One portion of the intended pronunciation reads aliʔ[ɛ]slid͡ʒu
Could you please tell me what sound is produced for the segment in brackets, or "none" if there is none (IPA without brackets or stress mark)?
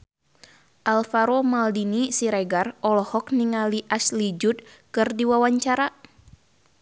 a